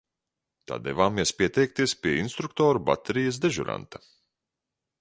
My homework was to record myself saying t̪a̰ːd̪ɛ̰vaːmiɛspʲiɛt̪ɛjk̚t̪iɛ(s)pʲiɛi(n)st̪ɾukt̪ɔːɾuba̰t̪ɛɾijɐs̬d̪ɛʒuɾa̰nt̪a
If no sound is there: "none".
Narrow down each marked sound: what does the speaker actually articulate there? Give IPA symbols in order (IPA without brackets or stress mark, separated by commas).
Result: s, n